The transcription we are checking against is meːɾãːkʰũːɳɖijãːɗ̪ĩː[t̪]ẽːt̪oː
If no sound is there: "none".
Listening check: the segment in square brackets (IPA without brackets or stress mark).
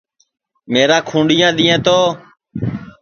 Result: none